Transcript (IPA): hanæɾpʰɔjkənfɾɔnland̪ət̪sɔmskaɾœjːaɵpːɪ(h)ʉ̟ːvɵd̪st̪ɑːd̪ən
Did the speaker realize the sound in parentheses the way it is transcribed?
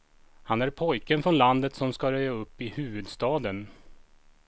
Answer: yes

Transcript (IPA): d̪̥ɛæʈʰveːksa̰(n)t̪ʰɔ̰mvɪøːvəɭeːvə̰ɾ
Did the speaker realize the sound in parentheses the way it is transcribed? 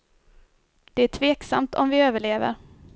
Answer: no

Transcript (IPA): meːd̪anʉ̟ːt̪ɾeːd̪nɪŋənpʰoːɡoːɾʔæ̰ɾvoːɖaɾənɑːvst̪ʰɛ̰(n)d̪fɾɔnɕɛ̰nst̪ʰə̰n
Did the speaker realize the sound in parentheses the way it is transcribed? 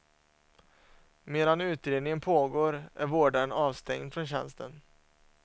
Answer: no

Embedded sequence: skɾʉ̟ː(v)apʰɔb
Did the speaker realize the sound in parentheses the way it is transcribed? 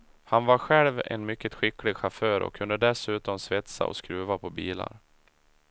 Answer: yes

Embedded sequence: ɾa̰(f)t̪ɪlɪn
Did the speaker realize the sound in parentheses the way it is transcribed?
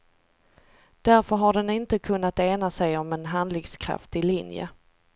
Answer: yes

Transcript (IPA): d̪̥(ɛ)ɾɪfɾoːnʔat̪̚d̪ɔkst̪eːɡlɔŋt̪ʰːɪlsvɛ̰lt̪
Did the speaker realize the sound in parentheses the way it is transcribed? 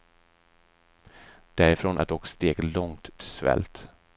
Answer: no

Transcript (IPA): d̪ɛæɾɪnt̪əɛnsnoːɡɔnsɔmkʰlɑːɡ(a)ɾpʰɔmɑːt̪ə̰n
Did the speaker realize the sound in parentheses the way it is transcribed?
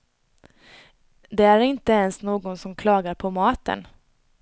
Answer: yes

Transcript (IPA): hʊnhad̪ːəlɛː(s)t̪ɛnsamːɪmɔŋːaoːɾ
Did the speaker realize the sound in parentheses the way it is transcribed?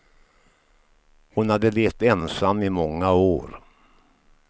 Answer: no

